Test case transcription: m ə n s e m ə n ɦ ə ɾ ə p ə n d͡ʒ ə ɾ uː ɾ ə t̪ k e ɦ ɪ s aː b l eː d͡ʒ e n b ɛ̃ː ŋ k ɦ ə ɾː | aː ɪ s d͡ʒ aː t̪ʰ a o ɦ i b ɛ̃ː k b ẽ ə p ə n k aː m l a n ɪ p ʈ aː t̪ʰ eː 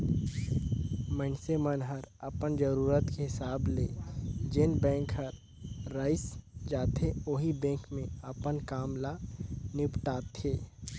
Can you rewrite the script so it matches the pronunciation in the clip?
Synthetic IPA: m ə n s e m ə n ɦ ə ɾ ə p ə n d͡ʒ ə ɾ uː ɾ ə t̪ k e ɦ ɪ s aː b l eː d͡ʒ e n b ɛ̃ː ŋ k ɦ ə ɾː | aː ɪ s d͡ʒ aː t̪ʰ e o ɦ i b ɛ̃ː k m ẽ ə p ə n k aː m l a n ɪ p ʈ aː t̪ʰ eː